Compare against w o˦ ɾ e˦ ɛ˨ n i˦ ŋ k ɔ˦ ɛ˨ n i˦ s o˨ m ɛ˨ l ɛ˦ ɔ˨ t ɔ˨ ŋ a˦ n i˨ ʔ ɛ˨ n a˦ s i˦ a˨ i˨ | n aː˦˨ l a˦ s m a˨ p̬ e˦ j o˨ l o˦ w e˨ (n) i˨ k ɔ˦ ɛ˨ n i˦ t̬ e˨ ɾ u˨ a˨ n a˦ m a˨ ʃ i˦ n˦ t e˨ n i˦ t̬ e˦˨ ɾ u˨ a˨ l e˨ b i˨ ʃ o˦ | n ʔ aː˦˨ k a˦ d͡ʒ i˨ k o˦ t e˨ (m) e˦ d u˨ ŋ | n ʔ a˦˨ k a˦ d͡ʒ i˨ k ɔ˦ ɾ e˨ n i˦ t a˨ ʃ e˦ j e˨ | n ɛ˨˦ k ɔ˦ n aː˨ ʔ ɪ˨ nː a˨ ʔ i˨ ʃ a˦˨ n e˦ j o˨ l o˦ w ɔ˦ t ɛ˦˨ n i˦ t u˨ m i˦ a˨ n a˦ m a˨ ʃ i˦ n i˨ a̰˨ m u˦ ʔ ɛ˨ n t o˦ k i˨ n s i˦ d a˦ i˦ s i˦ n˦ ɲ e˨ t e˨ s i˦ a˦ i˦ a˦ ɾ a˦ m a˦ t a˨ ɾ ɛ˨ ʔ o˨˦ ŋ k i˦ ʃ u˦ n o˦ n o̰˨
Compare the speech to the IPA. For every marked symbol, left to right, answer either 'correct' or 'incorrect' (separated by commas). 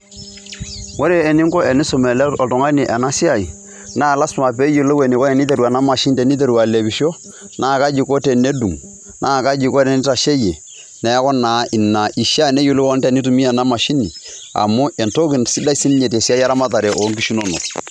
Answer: correct, incorrect